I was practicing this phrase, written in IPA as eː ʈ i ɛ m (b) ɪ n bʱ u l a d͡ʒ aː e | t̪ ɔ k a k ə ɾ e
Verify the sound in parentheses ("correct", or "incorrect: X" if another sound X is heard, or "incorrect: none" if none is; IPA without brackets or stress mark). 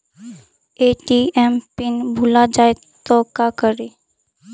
incorrect: p